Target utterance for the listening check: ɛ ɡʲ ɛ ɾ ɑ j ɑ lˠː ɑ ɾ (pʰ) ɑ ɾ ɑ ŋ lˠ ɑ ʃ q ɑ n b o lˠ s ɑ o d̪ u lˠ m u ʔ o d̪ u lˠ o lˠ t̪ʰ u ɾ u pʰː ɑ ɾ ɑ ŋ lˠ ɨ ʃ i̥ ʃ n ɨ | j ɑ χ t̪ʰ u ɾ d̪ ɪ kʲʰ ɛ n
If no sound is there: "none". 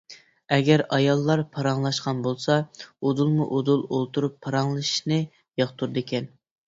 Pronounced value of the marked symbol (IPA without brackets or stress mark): pʰ